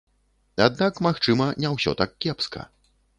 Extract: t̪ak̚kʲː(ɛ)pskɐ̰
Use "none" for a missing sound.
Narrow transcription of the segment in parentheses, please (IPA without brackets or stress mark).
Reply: ɛ